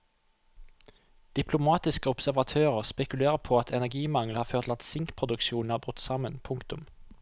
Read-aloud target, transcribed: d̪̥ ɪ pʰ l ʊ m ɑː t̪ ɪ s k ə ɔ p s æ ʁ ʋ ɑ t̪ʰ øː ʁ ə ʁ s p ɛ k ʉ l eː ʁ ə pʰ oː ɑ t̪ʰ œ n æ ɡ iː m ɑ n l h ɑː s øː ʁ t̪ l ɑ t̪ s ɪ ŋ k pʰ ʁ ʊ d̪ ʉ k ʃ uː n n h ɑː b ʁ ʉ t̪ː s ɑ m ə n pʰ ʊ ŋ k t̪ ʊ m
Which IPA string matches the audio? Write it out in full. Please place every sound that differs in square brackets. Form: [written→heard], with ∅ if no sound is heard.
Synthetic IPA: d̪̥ ɪ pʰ l ʊ m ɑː t̪ ɪ s k ə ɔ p s æ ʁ ʋ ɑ t̪ʰ øː ʁ ə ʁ s p ɛ k ʉ l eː ʁ ə pʰ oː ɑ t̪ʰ [œ→ɛ] n æ ɡ iː m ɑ [n→ŋ] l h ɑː [s→f] øː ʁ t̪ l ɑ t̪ s ɪ ŋ k pʰ ʁ ʊ d̪ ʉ k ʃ uː n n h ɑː b ʁ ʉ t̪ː s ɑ m ə n pʰ ʊ ŋ k t̪ ʊ m